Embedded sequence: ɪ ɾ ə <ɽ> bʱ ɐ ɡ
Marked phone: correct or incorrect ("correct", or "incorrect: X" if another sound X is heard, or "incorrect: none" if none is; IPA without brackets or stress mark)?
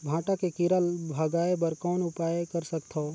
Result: incorrect: l